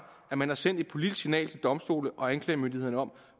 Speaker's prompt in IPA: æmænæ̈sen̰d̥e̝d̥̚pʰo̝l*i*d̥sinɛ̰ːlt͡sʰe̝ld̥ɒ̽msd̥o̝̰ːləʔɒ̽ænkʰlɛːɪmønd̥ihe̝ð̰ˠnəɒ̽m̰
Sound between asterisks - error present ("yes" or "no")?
no